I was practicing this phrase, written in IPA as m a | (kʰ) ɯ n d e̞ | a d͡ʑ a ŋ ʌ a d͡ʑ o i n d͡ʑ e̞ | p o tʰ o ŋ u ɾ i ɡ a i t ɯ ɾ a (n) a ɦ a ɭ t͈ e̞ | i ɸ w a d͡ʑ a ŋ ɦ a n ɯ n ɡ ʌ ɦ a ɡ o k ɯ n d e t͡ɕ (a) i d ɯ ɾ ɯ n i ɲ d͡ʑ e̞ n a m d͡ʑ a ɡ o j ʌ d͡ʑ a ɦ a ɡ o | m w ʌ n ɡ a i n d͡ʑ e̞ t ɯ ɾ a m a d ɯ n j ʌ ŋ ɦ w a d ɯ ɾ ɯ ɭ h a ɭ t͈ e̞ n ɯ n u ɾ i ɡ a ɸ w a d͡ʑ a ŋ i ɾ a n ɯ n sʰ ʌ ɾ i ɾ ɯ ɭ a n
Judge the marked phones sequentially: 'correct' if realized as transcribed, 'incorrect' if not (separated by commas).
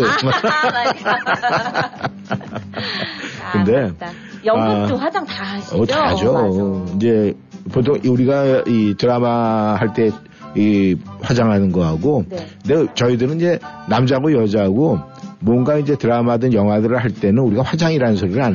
incorrect, incorrect, incorrect